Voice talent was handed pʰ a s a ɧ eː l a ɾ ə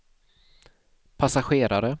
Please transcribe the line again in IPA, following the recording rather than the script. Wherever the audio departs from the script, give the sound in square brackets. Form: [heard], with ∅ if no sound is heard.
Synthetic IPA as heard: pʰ a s a ɧ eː [ɾ] a ɾ ə